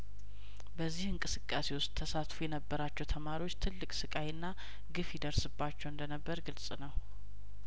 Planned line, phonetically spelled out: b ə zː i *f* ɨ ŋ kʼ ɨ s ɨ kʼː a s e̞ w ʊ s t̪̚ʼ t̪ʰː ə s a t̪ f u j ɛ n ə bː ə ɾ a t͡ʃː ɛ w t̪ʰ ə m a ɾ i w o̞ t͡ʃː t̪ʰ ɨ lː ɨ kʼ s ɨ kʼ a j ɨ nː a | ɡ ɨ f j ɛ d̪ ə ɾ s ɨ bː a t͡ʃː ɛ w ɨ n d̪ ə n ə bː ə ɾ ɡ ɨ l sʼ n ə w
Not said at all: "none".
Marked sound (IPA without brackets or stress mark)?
h